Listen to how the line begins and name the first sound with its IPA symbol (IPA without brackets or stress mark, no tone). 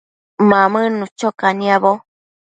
m